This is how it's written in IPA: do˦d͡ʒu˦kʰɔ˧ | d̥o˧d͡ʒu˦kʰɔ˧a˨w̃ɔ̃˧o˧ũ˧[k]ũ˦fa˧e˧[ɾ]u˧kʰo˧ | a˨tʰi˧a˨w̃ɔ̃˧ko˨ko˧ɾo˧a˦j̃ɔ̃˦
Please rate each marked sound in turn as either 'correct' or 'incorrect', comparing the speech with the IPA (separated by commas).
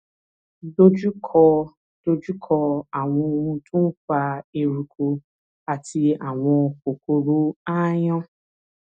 incorrect, correct